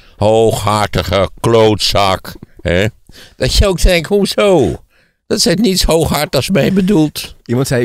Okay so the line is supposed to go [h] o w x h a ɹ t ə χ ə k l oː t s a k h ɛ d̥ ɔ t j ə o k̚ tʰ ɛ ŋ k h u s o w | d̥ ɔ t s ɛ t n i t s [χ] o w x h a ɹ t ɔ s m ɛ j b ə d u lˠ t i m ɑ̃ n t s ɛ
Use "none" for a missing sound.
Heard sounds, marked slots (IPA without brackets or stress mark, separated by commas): h, h